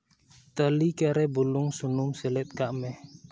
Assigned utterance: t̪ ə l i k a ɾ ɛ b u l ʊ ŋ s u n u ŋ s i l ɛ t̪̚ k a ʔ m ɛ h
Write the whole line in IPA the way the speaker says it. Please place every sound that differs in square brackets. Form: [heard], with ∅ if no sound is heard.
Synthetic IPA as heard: t̪ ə l i k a ɾ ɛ b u l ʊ ŋ s u n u [m] s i l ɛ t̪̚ k a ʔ m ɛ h